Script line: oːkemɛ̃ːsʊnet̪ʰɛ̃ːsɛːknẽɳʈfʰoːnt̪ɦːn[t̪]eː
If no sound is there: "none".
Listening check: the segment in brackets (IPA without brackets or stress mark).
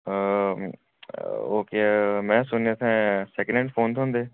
d̪